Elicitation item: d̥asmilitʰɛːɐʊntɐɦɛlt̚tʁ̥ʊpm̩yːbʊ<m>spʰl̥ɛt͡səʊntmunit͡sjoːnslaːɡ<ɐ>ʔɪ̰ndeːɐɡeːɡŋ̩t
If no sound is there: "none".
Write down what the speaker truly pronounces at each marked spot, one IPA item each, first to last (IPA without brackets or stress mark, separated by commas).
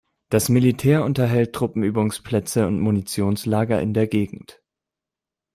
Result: ŋ, ɐ